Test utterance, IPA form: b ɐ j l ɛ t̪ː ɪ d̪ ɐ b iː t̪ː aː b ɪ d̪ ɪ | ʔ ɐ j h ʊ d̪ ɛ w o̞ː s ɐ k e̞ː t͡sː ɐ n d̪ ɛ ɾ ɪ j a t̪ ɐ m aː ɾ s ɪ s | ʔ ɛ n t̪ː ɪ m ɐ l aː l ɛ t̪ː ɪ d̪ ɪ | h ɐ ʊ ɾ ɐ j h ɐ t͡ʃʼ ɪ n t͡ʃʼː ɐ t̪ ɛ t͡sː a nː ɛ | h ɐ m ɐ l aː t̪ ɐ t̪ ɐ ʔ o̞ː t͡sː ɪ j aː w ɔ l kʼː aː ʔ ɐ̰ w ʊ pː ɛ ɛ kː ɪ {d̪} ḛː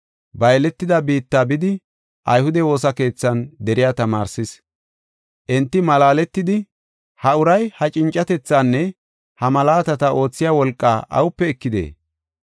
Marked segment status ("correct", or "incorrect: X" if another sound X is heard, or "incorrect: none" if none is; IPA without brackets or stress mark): correct